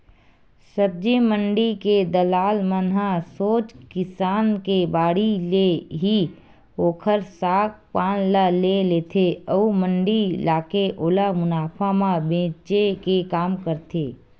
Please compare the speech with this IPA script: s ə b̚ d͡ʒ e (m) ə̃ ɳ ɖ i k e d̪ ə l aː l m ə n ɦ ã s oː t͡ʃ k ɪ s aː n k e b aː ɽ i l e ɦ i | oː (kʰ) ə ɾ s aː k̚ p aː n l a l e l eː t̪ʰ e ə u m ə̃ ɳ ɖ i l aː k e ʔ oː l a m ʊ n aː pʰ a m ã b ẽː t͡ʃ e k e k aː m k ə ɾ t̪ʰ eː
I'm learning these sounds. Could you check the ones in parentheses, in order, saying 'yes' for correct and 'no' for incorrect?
yes, yes

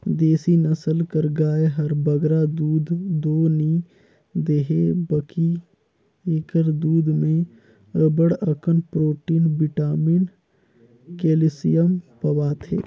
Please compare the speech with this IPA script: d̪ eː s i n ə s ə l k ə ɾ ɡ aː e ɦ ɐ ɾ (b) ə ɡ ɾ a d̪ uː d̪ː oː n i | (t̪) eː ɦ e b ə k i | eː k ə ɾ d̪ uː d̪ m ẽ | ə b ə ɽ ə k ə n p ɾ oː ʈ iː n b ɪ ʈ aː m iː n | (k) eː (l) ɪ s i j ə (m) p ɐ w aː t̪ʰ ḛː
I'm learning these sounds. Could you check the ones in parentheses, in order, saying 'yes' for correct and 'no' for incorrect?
yes, no, yes, yes, yes

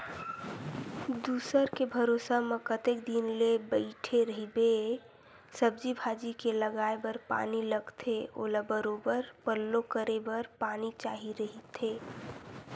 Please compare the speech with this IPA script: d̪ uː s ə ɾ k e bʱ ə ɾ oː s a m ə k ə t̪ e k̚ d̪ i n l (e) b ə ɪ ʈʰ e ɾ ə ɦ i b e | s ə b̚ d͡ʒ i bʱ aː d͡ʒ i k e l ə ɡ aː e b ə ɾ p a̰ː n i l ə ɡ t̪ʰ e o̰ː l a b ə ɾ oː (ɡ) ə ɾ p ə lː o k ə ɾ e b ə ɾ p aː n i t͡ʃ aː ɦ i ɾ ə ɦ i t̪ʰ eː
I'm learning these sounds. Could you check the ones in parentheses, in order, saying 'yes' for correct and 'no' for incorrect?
yes, no

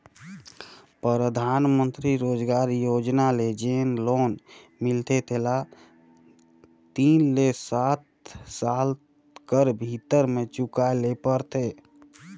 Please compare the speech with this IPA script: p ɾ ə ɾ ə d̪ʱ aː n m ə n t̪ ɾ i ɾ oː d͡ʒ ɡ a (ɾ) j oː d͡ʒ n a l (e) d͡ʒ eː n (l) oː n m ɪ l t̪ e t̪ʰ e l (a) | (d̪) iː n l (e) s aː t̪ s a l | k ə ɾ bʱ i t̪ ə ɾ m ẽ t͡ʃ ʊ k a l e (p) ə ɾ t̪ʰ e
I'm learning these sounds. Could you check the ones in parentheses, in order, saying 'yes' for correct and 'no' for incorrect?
yes, yes, yes, yes, no, yes, yes

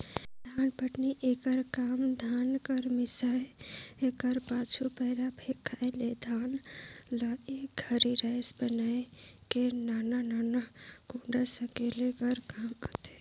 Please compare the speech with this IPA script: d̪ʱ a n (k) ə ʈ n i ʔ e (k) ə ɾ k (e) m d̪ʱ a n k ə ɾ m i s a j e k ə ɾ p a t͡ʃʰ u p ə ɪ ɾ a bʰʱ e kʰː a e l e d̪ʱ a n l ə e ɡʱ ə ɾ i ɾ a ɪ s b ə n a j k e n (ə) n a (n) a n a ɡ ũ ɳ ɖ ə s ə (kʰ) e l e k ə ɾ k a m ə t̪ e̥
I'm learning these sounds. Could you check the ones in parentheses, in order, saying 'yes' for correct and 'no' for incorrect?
no, yes, no, no, yes, no

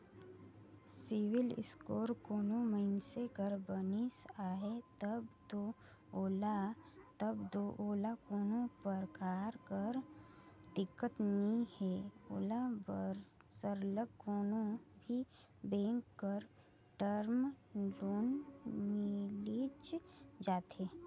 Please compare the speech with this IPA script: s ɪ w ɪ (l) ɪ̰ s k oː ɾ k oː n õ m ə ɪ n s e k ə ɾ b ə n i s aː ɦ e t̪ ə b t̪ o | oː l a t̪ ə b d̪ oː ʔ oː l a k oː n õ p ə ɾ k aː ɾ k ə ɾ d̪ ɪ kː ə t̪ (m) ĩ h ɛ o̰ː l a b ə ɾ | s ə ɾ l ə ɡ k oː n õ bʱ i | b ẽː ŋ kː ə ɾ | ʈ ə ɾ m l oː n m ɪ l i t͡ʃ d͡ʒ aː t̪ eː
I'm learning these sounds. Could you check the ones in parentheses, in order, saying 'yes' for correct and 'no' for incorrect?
yes, no

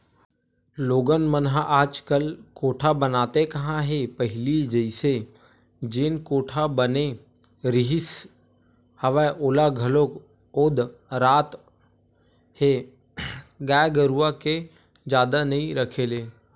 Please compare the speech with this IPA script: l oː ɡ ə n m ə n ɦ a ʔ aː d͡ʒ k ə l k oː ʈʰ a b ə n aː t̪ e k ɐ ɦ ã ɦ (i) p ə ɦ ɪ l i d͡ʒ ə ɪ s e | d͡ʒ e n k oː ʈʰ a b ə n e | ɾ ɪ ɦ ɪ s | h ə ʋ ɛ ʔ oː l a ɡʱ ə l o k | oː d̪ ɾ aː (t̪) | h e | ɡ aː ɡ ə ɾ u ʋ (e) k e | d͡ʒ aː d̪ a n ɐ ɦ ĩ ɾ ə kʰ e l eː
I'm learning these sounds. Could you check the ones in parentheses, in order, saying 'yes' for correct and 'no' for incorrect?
no, yes, no

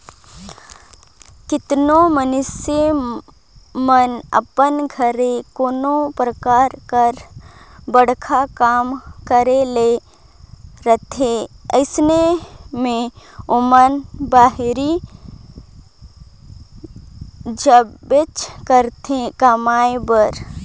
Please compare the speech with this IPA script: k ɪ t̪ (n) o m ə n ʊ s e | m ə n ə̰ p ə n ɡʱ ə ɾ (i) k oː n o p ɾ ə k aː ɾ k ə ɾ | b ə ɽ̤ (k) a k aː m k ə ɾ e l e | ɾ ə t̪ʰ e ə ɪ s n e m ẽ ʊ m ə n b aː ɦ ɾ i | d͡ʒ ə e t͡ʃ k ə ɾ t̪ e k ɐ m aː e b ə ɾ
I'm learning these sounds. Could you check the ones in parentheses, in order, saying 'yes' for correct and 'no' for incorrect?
yes, no, no

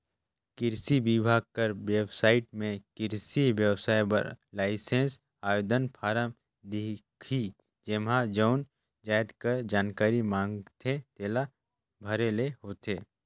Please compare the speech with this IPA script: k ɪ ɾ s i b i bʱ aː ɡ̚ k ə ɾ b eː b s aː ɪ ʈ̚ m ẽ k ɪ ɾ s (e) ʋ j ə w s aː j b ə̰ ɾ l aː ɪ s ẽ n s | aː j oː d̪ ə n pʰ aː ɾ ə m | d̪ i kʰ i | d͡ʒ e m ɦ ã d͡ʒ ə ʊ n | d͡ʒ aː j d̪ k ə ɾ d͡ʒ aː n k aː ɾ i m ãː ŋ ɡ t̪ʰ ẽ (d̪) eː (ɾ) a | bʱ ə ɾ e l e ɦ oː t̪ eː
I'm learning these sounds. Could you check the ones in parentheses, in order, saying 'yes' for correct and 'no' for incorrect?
no, no, no

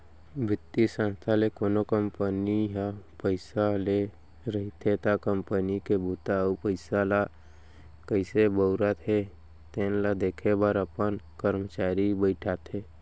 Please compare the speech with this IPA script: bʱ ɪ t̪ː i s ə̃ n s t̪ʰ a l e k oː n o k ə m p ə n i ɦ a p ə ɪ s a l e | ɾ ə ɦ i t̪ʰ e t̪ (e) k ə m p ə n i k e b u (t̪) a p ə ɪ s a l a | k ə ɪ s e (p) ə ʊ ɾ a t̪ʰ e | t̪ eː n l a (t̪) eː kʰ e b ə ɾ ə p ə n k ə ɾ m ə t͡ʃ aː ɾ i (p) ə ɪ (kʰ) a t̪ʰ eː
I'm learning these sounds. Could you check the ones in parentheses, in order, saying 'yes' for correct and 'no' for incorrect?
no, yes, no, no, no, no

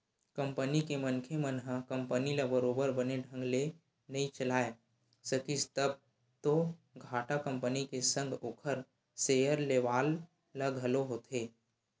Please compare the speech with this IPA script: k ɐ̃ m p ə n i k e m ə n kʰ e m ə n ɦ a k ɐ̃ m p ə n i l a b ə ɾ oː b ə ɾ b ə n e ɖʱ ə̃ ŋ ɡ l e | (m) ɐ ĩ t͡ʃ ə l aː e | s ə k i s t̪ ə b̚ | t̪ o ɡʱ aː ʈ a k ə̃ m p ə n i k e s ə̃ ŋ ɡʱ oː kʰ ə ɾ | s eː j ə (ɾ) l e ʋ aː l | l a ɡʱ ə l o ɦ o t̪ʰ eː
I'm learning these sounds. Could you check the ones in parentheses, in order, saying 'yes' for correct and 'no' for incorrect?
no, yes

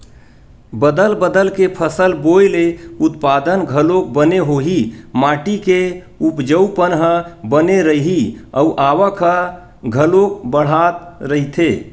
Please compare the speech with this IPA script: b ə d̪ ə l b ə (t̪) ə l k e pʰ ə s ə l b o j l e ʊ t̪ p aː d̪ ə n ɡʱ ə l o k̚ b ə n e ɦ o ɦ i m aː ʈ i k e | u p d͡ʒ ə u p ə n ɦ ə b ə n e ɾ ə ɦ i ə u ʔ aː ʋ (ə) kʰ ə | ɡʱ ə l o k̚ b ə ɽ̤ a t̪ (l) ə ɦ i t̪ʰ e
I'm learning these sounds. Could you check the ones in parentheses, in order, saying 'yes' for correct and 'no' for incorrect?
no, yes, no

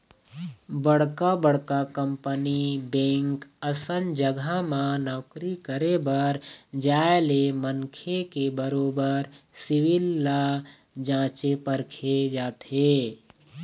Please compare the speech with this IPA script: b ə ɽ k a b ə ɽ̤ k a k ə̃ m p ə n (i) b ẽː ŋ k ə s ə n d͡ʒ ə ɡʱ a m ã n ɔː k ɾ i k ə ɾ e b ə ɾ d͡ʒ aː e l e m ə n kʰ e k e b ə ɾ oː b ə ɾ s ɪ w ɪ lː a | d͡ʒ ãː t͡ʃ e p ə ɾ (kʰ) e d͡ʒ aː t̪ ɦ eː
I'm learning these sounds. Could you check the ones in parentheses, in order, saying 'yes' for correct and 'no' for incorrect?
yes, yes

